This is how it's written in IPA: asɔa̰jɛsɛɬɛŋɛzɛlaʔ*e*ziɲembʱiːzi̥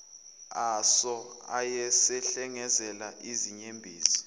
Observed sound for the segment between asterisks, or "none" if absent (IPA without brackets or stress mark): i